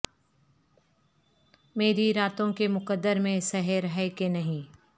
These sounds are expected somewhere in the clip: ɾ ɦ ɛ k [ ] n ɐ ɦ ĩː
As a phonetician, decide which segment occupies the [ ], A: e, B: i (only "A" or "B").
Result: A